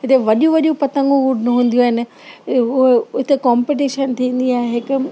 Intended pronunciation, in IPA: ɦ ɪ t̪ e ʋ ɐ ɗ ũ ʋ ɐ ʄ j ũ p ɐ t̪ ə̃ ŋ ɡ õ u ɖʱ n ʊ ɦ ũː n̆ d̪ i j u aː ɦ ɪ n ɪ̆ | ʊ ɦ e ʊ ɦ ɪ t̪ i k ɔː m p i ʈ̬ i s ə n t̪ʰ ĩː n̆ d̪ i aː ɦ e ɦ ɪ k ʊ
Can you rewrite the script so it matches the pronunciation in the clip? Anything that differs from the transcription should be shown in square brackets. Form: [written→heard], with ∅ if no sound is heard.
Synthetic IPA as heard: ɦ ɪ t̪ e ʋ ɐ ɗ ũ ʋ ɐ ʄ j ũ p ɐ t̪ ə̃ ŋ ɡ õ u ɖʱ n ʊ ɦ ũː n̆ d̪ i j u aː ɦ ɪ n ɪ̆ | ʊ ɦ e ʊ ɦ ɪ t̪ [i→e] k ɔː m p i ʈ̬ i [s→ʃ] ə n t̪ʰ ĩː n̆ d̪ i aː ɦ e ɦ ɪ k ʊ